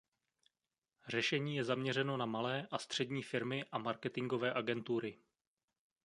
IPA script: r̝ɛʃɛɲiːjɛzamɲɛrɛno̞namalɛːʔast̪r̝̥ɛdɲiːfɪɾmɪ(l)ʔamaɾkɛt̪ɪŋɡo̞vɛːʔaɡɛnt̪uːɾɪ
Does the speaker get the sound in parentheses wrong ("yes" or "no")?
yes